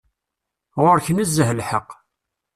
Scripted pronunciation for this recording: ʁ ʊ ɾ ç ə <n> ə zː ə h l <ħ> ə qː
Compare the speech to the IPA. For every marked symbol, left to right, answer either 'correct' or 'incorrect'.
correct, correct

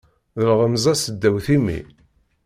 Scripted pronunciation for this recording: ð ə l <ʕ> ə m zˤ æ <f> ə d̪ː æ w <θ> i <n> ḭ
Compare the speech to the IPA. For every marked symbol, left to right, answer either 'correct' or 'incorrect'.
incorrect: ʁ, incorrect: s, correct, incorrect: m

